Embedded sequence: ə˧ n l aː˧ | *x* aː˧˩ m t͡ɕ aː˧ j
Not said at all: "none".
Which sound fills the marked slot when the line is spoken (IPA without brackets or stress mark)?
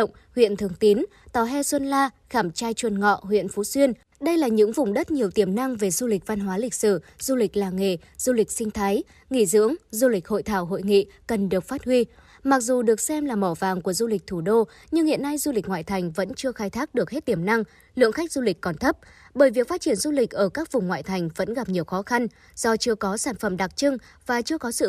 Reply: x